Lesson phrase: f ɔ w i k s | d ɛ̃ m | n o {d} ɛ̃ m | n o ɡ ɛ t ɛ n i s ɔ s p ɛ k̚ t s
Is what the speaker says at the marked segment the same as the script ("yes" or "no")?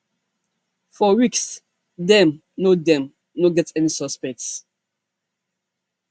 yes